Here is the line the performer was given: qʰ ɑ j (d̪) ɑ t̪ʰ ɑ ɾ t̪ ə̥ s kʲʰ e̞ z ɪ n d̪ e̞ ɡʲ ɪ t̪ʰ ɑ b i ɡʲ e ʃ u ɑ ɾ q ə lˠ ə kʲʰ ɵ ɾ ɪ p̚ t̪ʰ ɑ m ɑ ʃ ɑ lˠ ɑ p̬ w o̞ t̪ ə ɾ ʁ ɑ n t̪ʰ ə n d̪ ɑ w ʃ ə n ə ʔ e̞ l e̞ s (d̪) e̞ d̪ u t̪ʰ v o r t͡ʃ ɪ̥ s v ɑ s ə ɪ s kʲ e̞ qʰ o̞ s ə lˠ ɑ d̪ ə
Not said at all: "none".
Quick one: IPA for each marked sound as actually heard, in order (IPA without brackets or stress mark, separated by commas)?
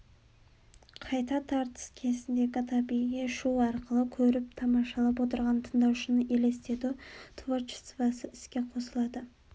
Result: t̪, t̪